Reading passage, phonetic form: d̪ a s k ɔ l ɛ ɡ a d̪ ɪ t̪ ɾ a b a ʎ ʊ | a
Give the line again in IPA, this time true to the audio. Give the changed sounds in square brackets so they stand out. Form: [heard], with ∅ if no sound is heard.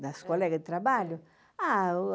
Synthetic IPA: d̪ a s k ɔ l ɛ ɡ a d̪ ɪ t̪ ɾ a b a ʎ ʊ | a